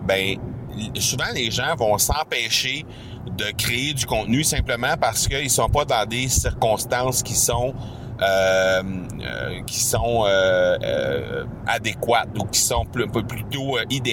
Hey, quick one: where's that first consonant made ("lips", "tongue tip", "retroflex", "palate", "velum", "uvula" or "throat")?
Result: lips